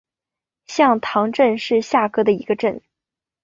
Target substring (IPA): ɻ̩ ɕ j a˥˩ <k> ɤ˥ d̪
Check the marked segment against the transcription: correct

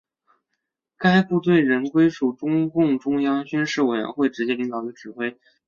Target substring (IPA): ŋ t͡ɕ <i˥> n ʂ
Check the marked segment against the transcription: incorrect: y˥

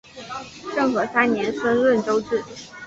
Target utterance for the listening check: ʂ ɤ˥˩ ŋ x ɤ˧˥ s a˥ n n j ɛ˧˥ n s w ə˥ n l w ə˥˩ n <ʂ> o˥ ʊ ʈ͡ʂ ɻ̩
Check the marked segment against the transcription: incorrect: ʈ͡ʂ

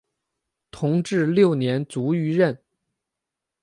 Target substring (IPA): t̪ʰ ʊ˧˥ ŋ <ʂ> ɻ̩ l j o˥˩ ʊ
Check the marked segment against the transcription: incorrect: ʈ͡ʂ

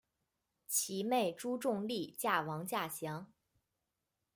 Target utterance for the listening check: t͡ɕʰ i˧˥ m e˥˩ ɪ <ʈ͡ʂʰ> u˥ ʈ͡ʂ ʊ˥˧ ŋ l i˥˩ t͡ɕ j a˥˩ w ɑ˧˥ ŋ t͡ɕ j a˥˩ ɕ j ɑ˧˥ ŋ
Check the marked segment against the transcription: incorrect: ʈ͡ʂ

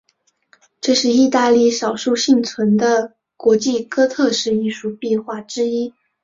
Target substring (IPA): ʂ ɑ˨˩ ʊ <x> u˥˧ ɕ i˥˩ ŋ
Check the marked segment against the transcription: incorrect: ʂ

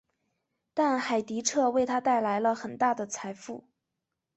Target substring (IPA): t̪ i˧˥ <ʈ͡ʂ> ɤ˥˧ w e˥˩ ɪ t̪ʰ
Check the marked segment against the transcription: incorrect: ʈ͡ʂʰ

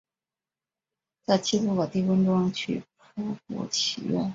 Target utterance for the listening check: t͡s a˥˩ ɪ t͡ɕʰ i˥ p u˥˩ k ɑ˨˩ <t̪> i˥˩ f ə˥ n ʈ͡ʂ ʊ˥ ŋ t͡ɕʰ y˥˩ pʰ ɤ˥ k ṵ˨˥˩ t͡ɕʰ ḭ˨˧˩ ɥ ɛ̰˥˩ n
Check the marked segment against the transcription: correct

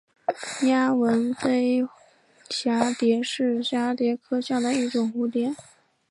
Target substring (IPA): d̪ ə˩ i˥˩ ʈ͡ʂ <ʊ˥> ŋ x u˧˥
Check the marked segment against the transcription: incorrect: ʊ˨˩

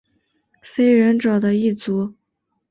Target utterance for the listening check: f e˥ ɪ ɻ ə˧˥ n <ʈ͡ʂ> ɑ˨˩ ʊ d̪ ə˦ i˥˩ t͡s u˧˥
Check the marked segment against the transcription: correct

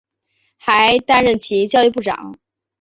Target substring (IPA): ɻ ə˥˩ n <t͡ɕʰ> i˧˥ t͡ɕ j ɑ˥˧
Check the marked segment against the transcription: correct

